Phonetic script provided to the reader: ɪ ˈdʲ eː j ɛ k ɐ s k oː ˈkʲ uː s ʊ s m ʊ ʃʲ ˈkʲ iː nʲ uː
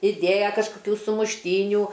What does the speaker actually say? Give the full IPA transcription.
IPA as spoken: ɪ ˈdʲ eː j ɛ k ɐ ʃ k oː ˈkʲ uː s ʊ m ʊ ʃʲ ˈtʲ iː nʲ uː